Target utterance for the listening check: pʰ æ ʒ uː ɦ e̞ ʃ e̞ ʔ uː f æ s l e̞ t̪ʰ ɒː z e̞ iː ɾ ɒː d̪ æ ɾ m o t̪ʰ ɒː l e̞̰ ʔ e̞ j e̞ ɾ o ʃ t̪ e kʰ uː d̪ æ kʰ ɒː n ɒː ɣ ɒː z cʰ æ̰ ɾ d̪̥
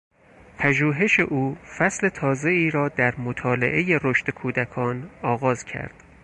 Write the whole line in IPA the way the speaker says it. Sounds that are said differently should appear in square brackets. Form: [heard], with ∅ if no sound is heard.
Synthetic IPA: pʰ æ ʒ uː ɦ e̞ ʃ e̞ ʔ uː f æ s l e̞ t̪ʰ ɒː z e̞ iː ɾ ɒː d̪ æ ɾ m o t̪ʰ ɒː l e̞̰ ʔ e̞ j e̞ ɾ o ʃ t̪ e kʰ uː d̪ æ kʰ ɒː n ɒː ɣ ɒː z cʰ æ̰ ɾ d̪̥